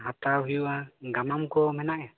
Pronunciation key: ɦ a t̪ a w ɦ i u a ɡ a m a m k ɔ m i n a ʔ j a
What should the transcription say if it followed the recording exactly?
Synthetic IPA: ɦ a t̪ a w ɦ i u a ɡ a m a m k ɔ m ɛ n a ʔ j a

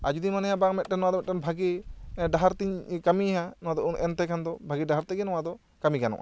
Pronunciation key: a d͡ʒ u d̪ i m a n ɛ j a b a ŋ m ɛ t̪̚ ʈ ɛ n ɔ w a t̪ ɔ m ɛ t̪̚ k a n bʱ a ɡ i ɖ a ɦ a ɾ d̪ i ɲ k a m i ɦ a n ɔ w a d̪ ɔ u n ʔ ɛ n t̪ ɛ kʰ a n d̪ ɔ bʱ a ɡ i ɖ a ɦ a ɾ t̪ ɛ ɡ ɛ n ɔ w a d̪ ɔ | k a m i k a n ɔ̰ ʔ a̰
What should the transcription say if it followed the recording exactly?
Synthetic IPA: a d͡ʒ u d̪ i m a n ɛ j a b a ŋ m ɛ t̪̚ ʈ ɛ n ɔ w a d̪ ɔ m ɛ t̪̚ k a n bʱ a ɡ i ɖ a ɦ a ɾ t̪ i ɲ k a m i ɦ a n ɔ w a d̪ ɔ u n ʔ ɛ n t̪ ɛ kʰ a n d̪ ɔ bʱ a ɡ i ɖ a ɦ a ɾ t̪ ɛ ɡ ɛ n ɔ w a d̪ ɔ | k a m i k a n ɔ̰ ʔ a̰

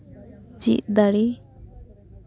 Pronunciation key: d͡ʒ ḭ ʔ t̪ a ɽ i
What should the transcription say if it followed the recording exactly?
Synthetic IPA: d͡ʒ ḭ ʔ d̪ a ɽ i

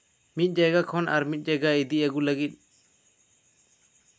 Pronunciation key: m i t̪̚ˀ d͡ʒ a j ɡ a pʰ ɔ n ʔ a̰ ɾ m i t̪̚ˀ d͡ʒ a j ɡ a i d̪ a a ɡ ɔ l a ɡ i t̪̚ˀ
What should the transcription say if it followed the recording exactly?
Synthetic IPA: m i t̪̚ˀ d͡ʒ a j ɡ a kʰ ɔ n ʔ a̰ ɾ m i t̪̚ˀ d͡ʒ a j ɡ a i d̪ i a ɡ u l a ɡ i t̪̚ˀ

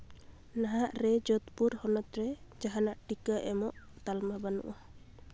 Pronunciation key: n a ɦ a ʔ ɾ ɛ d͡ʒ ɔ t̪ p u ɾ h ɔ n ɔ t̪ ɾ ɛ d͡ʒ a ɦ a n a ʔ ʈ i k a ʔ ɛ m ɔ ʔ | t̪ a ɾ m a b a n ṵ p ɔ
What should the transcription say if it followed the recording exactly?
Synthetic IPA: n a ɦ a ʔ ɾ ɛ d͡ʒ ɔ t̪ p u ɾ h ɔ n ɔ t̪ ɾ ɛ d͡ʒ a ɦ a n a ʔ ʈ i k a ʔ ɛ m ɔ ʔ | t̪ a l m a b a n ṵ ʔ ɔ

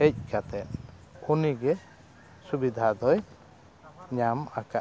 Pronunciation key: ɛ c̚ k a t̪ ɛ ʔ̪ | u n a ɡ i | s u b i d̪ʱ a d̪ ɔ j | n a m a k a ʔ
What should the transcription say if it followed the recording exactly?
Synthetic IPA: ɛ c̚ k a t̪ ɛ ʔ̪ | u n i ɡ ɛ | s u b i d̪ʱ a d̪ ɔ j | ɲ a m a k a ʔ

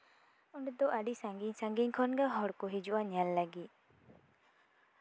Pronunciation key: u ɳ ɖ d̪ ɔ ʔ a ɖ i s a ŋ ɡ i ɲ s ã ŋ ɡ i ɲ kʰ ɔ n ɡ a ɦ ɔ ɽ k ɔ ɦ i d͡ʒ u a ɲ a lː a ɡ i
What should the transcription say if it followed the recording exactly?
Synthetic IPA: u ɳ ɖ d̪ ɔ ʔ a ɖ i s a ŋ ɡ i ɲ s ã ŋ ɡ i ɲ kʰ ɔ n ɡ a ɦ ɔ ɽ k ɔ ɦ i d͡ʒ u a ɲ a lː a ɡ i

